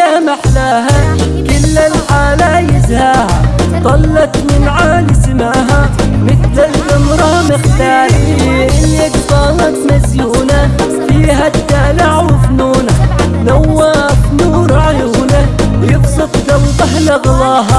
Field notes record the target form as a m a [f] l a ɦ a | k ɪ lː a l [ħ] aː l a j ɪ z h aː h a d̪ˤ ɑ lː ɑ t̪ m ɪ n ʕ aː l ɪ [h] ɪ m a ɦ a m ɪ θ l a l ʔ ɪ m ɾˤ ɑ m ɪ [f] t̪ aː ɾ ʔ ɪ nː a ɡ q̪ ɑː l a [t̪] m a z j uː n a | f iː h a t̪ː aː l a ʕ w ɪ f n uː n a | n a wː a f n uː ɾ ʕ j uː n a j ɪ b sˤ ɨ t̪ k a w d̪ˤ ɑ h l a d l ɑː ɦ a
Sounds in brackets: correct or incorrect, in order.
incorrect: ħ, correct, incorrect: s, incorrect: x, correct

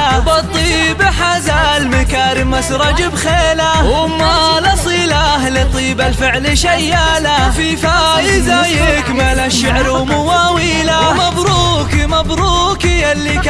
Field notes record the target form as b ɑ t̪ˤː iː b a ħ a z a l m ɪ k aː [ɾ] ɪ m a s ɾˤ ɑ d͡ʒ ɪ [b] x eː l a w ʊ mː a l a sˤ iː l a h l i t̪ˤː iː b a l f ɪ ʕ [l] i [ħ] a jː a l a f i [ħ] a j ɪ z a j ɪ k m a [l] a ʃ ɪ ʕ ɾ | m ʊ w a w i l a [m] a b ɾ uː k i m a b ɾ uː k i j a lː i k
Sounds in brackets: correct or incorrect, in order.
correct, correct, correct, incorrect: ʃ, incorrect: f, correct, correct

